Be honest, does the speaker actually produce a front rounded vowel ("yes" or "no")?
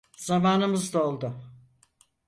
no